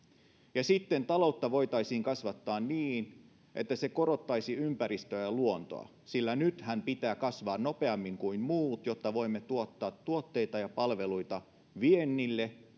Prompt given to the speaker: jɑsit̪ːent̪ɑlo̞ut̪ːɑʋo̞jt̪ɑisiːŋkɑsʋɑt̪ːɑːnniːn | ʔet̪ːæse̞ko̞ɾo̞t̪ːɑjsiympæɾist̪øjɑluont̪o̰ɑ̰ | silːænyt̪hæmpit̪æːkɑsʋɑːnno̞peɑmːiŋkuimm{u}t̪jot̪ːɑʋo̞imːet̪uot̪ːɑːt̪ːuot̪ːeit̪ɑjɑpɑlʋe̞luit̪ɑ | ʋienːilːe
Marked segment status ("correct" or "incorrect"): incorrect